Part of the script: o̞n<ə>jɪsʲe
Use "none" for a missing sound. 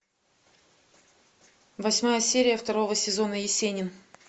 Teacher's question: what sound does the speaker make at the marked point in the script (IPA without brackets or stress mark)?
ə